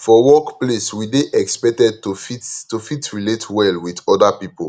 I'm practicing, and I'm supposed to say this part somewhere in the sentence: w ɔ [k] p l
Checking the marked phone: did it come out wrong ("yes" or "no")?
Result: no